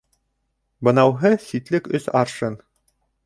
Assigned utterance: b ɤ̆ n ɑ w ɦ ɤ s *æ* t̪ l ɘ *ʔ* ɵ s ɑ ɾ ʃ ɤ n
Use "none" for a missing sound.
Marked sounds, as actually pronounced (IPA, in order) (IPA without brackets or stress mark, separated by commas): i, k